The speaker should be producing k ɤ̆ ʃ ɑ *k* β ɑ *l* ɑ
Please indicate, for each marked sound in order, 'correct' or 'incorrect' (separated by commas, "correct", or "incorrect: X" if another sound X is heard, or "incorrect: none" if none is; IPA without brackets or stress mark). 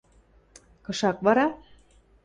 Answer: correct, incorrect: ɾ